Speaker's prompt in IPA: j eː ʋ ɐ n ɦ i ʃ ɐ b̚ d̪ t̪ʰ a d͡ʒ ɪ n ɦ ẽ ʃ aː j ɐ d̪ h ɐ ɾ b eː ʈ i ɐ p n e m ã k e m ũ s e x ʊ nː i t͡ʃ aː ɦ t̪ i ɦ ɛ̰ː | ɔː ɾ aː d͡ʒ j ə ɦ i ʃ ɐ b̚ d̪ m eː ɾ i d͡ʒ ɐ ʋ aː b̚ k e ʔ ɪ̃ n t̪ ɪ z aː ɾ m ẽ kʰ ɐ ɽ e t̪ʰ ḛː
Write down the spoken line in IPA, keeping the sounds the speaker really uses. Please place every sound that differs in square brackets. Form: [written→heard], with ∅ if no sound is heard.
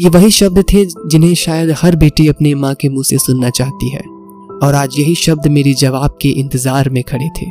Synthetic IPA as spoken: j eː ʋ ɐ [n→∅] ɦ i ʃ ɐ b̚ d̪ t̪ʰ [a→e] d͡ʒ ɪ n ɦ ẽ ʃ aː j [ɐ→ə] d̪ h ɐ ɾ b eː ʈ i ɐ p n e m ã k e m ũ s e [x→s] ʊ nː [i→a] t͡ʃ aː ɦ t̪ i ɦ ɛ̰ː | ɔː ɾ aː d͡ʒ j [ə→ɐ] ɦ i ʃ ɐ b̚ d̪ m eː ɾ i d͡ʒ ɐ ʋ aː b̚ k e ʔ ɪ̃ n t̪ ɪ z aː ɾ m ẽ kʰ ɐ ɽ e t̪ʰ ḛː